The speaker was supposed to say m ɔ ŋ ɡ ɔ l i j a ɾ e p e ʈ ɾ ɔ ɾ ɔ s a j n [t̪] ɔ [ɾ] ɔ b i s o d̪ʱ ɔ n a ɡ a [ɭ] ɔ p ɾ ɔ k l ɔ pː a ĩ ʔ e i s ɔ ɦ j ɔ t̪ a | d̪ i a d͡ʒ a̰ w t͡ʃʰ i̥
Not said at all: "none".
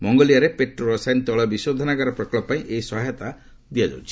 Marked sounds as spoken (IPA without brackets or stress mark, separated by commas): t̪, ɭ, ɾ